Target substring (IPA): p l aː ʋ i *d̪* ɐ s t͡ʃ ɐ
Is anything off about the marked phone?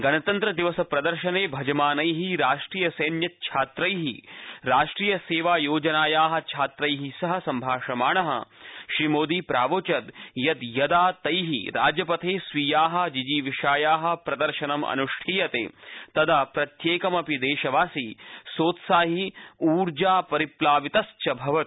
yes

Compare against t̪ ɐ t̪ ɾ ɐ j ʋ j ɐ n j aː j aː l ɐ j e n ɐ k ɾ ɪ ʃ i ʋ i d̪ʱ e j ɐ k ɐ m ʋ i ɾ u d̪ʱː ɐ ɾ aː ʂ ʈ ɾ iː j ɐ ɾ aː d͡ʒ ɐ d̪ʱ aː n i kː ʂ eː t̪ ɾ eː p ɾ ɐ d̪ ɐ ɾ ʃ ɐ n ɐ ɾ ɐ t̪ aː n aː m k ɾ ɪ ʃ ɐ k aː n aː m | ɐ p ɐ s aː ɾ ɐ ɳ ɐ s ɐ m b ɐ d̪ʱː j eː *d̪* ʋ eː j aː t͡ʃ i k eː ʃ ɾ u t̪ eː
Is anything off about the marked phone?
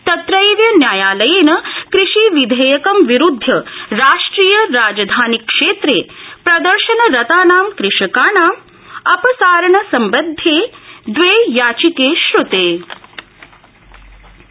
no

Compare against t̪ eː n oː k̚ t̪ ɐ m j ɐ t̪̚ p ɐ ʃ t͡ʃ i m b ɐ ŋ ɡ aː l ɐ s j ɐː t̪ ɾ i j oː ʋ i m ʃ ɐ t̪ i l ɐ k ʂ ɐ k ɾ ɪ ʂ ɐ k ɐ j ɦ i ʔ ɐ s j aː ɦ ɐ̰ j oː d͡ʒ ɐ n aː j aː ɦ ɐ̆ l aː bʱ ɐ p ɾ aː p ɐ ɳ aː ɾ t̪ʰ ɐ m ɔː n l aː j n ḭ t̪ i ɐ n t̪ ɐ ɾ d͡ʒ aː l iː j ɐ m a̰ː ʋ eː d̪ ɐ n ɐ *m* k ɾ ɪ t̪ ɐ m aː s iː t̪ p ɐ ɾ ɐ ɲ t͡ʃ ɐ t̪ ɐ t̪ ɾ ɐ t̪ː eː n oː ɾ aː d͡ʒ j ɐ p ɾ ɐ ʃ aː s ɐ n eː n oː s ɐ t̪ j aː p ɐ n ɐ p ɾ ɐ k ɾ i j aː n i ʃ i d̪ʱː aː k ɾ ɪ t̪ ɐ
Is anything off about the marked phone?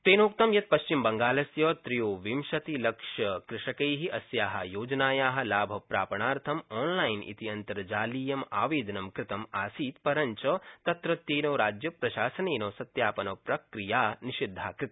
no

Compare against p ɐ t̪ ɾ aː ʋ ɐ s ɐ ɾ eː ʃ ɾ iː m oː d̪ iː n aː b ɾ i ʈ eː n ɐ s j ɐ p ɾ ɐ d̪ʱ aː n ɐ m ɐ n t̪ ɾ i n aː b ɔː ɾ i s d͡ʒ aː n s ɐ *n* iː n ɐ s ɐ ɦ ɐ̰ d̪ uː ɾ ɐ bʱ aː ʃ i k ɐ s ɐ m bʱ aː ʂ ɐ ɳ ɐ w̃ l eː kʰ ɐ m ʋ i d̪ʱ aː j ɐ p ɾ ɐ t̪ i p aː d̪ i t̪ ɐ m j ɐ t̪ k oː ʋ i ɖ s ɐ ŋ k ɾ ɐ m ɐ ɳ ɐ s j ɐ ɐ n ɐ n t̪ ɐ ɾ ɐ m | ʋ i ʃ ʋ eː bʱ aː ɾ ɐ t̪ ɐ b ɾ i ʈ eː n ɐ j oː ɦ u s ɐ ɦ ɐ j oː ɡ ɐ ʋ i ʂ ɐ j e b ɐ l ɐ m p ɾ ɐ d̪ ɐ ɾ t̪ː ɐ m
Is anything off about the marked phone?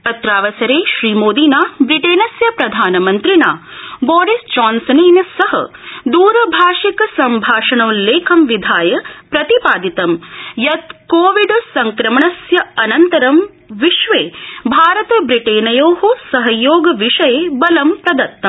no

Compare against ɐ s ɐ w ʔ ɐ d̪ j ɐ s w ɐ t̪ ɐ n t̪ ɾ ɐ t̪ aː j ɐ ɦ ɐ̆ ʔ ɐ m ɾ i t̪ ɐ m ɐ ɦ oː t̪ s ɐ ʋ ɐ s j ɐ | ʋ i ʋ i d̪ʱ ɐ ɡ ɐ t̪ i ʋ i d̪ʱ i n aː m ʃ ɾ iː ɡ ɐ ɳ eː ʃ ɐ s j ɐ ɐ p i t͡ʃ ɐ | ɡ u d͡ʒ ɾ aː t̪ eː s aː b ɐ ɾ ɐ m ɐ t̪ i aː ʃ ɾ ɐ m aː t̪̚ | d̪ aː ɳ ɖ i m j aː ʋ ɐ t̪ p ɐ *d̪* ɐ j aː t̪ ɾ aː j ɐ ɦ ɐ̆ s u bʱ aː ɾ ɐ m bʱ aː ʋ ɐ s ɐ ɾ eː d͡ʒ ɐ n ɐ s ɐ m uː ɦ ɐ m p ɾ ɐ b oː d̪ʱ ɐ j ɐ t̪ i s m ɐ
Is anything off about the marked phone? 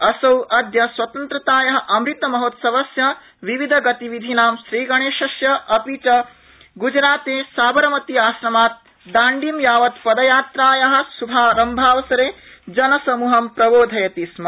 no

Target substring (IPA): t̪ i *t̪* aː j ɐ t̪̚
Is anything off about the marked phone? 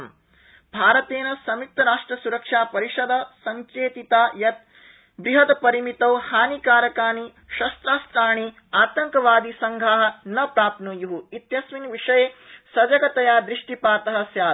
no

